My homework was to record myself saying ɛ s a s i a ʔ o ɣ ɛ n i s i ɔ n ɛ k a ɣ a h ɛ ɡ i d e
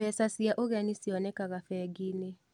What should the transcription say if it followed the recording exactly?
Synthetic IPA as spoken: ɛ s a s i a ʔ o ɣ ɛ n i s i ɔ n ɛ k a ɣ a f ɛ ɡ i n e